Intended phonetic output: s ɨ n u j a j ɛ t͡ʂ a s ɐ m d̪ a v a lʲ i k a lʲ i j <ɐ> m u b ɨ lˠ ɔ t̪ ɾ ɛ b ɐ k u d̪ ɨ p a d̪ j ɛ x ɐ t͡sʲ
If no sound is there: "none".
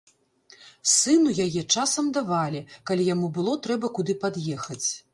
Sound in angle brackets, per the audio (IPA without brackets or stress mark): a